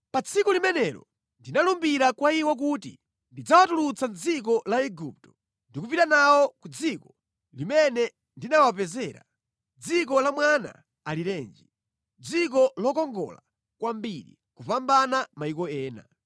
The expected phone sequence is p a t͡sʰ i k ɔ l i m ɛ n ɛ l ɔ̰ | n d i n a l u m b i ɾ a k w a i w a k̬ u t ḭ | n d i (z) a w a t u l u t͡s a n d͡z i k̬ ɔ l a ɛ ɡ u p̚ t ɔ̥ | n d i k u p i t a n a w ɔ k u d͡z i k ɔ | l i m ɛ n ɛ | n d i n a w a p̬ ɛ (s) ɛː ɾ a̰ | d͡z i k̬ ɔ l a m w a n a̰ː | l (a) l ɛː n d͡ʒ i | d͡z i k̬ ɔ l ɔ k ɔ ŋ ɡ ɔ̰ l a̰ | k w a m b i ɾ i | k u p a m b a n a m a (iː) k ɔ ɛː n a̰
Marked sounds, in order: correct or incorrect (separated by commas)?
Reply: incorrect, incorrect, incorrect, incorrect